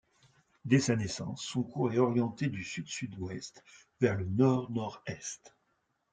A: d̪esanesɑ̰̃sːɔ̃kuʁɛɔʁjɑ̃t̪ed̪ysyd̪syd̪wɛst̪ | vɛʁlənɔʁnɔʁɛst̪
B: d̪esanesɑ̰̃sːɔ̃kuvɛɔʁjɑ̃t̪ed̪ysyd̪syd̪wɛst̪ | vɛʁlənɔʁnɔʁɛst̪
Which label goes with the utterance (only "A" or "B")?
A